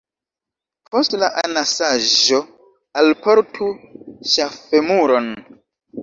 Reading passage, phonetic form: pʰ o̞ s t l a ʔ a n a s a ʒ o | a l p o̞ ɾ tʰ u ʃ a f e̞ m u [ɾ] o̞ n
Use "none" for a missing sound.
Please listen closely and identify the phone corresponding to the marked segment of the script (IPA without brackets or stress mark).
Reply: ɾ